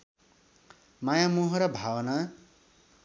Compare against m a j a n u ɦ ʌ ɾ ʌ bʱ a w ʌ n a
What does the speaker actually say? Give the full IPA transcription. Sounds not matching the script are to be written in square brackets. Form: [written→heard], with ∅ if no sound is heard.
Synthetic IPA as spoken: m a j a [n→m] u ɦ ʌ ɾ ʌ bʱ a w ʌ n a